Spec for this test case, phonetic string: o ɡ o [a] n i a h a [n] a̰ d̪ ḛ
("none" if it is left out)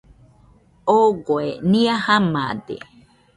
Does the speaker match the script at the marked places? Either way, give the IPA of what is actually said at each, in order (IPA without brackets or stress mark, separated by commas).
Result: e, m